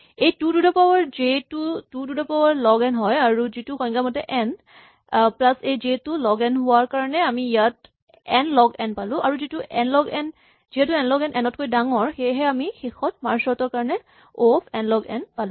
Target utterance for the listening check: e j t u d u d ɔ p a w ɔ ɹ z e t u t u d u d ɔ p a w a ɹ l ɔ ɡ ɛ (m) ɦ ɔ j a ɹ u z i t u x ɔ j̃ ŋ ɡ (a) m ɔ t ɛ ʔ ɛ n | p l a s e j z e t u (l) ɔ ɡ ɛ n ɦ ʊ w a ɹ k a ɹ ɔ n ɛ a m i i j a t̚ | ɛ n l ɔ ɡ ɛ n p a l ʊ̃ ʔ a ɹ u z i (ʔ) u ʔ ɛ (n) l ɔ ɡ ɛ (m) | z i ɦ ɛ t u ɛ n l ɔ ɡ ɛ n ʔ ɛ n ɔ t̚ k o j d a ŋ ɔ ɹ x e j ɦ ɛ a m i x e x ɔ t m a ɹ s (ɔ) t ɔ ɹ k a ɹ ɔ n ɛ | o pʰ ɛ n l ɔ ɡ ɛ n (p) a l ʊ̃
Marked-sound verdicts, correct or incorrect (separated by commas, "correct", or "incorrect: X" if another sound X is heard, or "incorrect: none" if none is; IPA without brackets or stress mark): incorrect: n, correct, correct, incorrect: t, correct, incorrect: n, correct, correct